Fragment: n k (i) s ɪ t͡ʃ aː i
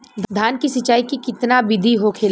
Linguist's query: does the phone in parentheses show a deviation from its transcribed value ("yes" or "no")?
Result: no